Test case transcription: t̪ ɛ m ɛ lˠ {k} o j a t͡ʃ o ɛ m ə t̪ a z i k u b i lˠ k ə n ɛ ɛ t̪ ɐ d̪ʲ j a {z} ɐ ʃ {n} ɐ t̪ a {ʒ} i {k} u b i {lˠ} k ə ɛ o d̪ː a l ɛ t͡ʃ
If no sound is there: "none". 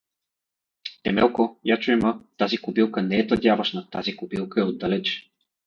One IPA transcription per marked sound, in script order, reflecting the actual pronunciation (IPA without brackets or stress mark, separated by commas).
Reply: k, v, n, z, k, lˠ